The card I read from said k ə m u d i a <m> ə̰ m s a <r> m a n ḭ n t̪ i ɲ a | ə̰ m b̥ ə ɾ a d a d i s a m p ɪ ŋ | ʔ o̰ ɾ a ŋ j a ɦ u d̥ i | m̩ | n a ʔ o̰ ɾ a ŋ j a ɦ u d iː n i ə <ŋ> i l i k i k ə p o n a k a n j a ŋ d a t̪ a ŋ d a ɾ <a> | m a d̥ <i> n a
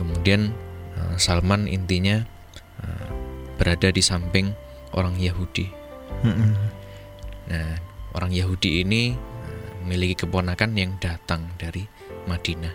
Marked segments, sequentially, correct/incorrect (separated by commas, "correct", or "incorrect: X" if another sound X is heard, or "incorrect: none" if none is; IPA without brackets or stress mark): incorrect: n, incorrect: l, incorrect: m, incorrect: i, correct